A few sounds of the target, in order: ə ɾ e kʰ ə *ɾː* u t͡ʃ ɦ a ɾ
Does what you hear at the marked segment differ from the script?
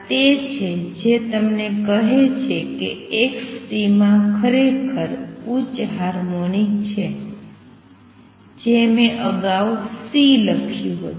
yes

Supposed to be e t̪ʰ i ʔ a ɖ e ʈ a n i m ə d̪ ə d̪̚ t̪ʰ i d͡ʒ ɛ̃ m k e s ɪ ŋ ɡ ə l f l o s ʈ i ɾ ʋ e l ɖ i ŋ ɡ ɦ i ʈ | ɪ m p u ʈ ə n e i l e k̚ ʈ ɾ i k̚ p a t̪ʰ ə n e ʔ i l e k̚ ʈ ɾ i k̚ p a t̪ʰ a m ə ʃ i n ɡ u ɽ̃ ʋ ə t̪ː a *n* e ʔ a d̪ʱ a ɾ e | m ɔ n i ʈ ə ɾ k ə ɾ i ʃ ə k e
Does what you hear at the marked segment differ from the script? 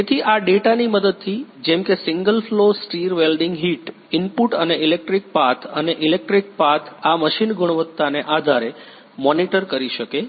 no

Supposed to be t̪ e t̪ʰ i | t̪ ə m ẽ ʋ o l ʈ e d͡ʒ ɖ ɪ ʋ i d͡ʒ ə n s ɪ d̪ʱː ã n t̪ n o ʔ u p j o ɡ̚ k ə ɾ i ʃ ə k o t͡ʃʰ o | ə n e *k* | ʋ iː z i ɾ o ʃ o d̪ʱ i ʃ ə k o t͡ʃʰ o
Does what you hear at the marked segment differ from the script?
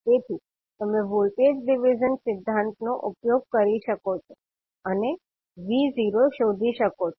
yes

